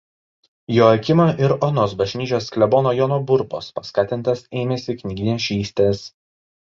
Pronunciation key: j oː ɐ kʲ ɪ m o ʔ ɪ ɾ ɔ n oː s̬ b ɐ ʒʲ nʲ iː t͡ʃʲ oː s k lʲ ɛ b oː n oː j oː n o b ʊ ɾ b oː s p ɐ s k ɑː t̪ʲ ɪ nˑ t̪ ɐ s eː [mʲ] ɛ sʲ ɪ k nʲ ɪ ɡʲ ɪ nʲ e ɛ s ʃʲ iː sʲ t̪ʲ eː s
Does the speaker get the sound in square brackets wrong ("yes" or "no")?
no